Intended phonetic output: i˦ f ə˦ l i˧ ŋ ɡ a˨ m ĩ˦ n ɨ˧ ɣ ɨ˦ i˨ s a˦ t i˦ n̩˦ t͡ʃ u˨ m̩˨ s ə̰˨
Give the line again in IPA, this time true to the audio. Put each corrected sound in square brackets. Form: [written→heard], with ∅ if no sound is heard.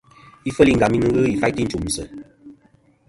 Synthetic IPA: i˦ f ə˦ l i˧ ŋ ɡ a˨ m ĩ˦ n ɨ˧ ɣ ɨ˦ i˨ [s→f] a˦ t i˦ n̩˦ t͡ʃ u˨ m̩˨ s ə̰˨